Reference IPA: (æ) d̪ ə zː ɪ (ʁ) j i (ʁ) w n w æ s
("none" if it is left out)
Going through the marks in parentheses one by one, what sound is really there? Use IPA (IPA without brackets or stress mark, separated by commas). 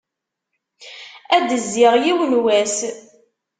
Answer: æ, ʁ, none